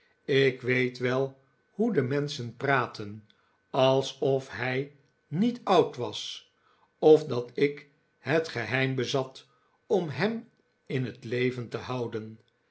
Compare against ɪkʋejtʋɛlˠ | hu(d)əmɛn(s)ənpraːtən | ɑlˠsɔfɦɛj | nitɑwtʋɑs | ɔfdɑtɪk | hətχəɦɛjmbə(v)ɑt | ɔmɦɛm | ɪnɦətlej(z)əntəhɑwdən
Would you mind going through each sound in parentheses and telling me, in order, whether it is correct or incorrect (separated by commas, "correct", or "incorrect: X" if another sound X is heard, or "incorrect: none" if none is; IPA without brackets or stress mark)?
correct, correct, incorrect: z, incorrect: v